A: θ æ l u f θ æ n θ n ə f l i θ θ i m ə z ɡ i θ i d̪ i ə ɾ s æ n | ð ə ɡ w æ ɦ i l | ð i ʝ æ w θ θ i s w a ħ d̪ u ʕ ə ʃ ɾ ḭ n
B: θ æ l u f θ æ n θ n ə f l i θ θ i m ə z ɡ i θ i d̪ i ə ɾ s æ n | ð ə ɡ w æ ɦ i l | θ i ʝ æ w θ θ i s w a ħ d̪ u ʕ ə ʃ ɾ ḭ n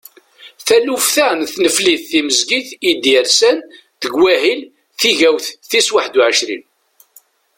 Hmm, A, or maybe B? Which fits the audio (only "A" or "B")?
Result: B